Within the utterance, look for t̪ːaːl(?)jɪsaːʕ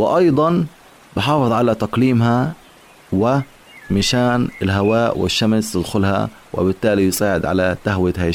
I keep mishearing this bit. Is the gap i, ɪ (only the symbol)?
i